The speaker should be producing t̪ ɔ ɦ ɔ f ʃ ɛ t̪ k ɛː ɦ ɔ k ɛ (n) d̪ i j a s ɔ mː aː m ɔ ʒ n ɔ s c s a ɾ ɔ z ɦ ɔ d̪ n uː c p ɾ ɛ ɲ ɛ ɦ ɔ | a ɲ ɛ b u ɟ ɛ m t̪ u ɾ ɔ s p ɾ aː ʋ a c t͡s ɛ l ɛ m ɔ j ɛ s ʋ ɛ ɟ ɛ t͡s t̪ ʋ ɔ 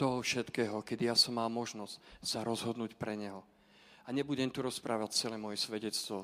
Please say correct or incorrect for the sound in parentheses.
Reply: incorrect